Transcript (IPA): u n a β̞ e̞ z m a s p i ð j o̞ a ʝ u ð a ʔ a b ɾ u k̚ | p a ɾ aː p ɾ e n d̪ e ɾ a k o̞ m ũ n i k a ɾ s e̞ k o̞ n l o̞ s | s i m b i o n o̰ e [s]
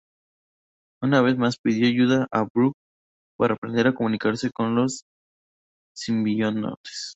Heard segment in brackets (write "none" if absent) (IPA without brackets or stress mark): s